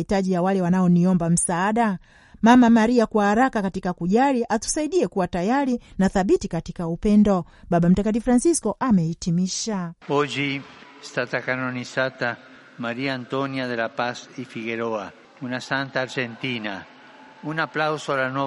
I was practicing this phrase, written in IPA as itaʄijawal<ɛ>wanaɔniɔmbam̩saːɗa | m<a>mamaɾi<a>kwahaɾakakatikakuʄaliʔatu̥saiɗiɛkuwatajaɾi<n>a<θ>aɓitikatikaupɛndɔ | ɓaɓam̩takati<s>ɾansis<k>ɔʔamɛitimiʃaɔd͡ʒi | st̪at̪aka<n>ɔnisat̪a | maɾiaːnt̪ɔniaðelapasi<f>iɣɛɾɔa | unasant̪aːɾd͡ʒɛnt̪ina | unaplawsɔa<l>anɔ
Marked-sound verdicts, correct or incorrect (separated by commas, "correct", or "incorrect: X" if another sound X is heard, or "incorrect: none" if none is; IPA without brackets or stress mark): correct, correct, correct, correct, correct, incorrect: f, correct, correct, correct, correct